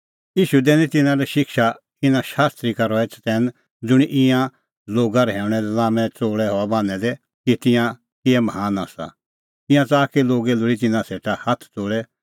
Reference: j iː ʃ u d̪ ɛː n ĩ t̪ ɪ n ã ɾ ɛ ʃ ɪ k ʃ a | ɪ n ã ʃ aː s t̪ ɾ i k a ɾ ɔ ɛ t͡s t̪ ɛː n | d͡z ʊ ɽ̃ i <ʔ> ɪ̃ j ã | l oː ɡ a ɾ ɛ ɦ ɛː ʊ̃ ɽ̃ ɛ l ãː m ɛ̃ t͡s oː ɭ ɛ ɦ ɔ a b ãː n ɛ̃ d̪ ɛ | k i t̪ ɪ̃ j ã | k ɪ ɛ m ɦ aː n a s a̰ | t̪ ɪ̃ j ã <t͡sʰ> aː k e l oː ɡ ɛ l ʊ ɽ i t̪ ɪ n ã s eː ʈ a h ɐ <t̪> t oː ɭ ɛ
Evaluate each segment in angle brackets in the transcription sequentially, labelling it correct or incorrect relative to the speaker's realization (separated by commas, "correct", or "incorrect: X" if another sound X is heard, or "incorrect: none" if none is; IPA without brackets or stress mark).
correct, incorrect: t͡s, incorrect: t̪ʰ